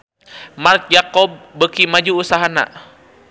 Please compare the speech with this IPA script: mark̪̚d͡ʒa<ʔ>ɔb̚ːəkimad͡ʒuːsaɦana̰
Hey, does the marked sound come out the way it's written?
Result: no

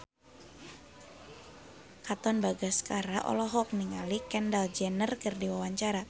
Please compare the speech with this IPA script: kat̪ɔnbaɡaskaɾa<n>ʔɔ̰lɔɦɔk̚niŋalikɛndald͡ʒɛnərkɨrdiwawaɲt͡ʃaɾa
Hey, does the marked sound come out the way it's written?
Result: no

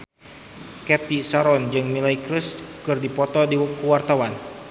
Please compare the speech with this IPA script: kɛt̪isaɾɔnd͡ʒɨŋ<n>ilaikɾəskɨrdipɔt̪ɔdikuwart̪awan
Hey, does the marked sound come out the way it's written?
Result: no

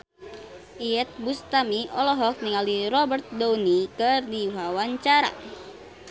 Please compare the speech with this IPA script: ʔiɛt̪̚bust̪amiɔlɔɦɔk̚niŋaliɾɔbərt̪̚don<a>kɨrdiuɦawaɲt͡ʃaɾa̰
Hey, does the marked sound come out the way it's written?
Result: no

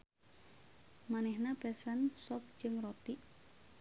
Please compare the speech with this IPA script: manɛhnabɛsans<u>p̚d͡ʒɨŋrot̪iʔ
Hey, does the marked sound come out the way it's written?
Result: no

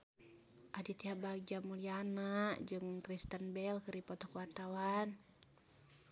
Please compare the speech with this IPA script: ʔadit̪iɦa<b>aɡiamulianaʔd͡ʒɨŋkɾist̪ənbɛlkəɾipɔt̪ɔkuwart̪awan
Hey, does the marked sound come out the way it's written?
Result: yes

